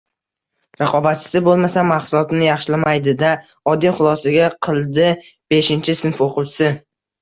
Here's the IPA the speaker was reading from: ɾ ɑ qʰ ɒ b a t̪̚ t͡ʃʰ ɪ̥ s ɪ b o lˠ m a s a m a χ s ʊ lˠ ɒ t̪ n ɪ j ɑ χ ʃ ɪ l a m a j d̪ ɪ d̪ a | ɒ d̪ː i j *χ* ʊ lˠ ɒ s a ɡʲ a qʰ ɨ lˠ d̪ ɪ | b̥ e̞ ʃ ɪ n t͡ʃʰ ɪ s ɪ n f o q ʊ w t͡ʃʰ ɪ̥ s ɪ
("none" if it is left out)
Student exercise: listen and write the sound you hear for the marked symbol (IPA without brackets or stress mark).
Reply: χ